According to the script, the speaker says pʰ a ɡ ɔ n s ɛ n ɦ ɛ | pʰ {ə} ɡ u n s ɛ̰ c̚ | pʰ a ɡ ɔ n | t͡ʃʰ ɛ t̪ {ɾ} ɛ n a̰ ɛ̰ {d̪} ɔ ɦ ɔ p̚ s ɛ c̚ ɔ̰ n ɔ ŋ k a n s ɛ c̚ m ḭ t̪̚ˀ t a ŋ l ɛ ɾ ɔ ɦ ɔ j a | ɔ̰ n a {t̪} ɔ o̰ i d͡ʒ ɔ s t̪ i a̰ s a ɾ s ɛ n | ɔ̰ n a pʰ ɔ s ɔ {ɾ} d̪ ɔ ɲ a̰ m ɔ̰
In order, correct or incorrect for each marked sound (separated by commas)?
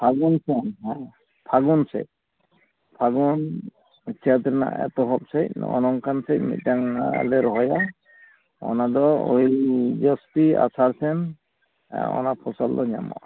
incorrect, correct, incorrect, incorrect, incorrect